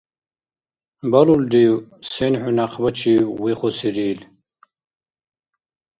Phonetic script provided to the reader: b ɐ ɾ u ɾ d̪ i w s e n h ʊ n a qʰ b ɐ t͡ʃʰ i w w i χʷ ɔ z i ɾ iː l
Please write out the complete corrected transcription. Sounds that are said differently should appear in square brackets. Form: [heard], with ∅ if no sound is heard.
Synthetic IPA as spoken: b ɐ [l] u [l] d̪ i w s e n [ħ] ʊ n a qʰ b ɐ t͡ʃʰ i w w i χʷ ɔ [s] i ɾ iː l